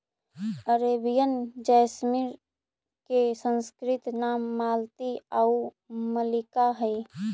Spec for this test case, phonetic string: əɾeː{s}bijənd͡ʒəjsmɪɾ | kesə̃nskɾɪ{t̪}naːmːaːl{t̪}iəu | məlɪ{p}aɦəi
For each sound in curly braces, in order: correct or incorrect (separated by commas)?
incorrect, correct, correct, incorrect